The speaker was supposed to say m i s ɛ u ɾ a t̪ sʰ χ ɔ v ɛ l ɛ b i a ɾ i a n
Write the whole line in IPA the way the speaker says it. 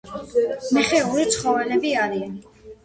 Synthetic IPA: m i χ ɛ u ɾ i t̪ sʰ χ ɔ v ɛ l ɛ b i a ɾ i a n